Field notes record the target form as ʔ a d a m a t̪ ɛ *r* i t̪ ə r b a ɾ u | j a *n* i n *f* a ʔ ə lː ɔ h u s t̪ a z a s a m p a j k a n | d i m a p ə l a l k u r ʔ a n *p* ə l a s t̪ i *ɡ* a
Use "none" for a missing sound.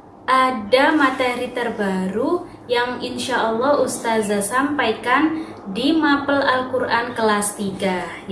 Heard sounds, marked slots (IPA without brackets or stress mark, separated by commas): ɾ, ŋ, ʃ, k, ɡ